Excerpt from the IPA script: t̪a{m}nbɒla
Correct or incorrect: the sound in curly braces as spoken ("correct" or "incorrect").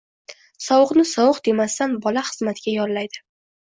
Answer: incorrect